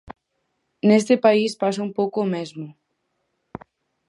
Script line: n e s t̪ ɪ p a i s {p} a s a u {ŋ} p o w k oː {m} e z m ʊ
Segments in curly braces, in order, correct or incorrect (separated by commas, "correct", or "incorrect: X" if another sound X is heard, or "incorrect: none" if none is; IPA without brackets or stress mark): correct, incorrect: m, correct